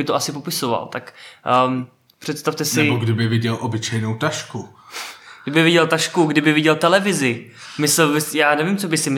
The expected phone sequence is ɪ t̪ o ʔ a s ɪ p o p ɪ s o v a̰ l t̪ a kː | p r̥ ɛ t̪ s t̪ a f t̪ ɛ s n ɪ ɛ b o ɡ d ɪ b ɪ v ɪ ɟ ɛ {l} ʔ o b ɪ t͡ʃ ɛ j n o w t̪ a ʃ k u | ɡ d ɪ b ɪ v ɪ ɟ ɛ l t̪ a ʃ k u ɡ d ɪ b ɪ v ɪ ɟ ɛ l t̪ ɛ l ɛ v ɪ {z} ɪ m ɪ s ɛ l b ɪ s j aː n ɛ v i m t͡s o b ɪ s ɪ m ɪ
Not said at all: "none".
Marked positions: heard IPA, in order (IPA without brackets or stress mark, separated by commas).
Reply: l, z